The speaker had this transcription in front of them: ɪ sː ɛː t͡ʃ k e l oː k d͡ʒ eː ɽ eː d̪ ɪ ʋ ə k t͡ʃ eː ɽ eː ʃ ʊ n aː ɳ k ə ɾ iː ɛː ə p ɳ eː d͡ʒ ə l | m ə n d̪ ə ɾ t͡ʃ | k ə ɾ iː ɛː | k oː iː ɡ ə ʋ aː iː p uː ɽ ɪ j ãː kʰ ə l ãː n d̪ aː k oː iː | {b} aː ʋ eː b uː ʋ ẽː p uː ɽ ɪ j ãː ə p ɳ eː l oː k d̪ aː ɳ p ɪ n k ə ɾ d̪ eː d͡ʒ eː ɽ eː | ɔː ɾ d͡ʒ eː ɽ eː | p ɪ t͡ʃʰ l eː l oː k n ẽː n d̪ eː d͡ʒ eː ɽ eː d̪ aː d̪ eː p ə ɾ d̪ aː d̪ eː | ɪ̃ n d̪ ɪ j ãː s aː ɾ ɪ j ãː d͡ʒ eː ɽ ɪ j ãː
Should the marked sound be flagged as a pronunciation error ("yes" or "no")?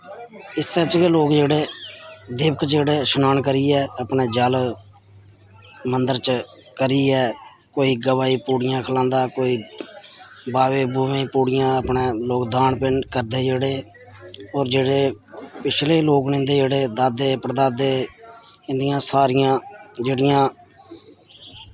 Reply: no